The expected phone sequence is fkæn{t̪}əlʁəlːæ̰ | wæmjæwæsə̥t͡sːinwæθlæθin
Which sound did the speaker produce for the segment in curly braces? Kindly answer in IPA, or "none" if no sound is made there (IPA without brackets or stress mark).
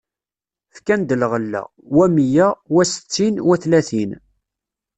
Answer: d̪